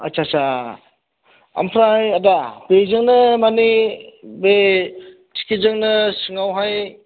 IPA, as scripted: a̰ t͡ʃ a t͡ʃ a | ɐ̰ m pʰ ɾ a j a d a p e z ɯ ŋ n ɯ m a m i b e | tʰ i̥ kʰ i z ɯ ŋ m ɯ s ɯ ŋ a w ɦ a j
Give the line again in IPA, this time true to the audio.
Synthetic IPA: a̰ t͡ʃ a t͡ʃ a | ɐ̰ m pʰ ɾ a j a d a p e z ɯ ŋ n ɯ m a n i b e | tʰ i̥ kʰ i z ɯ ŋ n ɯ s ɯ ŋ a w ɦ a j